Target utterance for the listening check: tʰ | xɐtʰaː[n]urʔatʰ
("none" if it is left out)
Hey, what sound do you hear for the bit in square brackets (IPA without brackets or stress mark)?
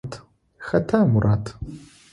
m